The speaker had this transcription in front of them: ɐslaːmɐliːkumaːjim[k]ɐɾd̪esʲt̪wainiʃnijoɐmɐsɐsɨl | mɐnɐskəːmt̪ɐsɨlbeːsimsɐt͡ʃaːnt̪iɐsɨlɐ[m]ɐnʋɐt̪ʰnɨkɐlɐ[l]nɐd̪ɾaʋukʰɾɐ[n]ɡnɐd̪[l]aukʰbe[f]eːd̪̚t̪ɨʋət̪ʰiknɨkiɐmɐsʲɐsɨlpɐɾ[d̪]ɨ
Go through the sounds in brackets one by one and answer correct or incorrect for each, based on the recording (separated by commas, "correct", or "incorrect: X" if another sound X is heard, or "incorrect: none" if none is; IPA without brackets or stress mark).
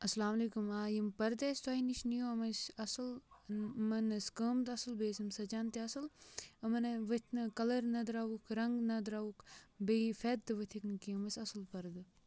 incorrect: p, correct, incorrect: ɾ, incorrect: ŋ, incorrect: ɾ, correct, correct